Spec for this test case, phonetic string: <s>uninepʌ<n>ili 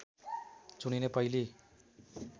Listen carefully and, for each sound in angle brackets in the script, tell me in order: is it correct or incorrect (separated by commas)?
incorrect, incorrect